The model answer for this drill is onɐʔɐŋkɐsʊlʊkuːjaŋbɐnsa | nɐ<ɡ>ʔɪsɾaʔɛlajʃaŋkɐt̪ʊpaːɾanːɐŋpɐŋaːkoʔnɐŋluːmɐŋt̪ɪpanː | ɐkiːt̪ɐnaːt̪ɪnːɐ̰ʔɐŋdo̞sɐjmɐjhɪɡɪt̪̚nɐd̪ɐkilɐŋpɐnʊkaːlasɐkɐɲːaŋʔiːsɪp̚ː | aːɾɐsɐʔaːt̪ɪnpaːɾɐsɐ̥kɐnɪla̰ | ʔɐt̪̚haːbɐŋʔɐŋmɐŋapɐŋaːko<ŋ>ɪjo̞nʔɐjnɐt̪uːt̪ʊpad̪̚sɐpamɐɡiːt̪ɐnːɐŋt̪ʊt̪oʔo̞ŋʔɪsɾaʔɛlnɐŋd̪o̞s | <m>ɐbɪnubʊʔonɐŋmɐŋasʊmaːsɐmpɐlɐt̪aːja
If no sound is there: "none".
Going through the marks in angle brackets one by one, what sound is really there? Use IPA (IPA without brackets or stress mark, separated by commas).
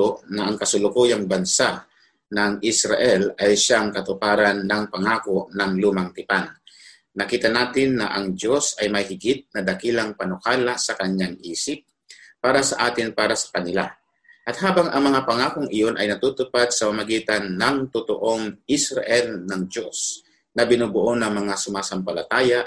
ŋ, ŋ, n